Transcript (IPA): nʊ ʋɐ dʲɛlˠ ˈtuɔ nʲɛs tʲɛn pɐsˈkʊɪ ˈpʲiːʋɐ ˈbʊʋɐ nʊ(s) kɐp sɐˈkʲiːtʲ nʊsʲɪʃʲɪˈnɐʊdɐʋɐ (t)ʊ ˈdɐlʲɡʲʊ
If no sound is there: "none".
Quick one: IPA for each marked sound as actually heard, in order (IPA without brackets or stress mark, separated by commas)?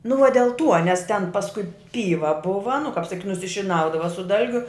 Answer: none, s